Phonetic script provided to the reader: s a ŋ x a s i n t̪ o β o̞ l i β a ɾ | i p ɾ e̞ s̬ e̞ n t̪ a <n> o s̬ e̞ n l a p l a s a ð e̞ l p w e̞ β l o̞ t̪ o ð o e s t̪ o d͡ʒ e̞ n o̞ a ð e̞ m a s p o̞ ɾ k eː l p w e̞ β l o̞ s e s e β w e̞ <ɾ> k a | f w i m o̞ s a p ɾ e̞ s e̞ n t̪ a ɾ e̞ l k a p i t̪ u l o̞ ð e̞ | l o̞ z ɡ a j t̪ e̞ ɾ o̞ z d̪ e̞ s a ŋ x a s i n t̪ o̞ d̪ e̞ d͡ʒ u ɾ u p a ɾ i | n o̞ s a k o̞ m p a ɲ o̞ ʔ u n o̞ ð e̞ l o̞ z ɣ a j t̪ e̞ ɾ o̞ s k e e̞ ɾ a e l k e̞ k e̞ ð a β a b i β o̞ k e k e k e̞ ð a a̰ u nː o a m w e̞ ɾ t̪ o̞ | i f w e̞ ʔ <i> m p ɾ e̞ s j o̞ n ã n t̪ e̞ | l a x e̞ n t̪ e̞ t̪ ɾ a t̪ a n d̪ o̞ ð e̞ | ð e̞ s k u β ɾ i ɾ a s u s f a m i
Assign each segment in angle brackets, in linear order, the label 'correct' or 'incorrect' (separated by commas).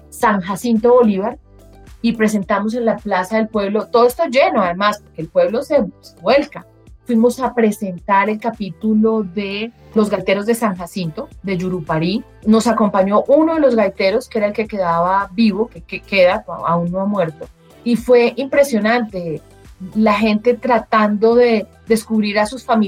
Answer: incorrect, incorrect, correct